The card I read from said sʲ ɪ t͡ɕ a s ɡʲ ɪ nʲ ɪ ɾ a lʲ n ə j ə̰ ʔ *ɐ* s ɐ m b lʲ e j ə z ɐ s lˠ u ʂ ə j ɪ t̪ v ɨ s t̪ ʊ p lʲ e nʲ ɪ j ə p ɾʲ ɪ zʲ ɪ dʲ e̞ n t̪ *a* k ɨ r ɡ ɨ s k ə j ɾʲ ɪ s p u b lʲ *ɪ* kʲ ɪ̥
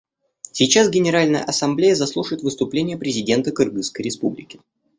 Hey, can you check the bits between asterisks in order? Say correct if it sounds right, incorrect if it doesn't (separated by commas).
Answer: correct, incorrect, correct